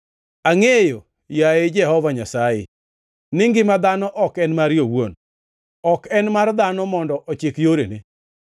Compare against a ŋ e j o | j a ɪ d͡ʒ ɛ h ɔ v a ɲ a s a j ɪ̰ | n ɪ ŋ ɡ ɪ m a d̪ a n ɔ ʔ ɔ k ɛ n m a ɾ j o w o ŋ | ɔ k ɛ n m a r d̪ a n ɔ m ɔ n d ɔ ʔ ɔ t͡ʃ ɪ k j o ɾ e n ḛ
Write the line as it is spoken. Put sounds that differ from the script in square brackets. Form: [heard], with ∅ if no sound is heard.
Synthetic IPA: a ŋ e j o | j a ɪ d͡ʒ ɛ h ɔ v a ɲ a s a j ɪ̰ | n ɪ ŋ ɡ ɪ m a d̪ a n ɔ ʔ ɔ k ɛ n m a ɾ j o w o [n] | ɔ k ɛ n m a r d̪ a n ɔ m ɔ n d ɔ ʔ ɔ t͡ʃ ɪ k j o ɾ e n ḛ